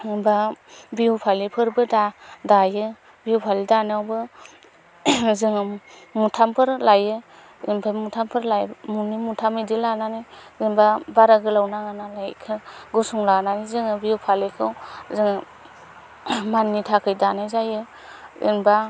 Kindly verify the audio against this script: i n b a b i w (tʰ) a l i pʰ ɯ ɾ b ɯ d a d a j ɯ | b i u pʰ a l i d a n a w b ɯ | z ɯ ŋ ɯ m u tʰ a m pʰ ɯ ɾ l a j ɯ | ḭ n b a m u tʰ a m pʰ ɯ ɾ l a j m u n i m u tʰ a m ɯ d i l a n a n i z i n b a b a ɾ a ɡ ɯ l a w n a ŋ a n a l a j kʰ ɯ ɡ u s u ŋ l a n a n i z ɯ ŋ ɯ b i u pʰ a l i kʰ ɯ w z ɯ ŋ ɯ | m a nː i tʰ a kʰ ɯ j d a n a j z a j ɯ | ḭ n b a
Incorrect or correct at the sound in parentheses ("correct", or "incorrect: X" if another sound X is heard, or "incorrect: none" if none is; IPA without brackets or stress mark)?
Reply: incorrect: pʰ